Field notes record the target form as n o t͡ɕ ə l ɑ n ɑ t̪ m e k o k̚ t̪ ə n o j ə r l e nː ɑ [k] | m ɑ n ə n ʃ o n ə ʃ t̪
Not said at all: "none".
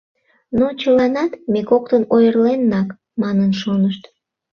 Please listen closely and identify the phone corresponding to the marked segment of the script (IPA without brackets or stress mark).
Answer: k